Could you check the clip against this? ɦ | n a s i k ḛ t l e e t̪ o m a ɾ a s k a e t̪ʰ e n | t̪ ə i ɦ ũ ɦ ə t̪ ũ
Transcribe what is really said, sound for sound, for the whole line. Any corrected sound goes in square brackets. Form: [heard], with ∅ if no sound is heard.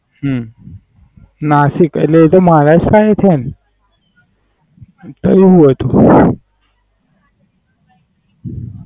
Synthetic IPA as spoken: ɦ | n a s i k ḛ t l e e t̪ o m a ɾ a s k a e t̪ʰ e n | t̪ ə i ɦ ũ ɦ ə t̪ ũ